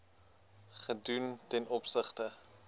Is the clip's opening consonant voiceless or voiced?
voiceless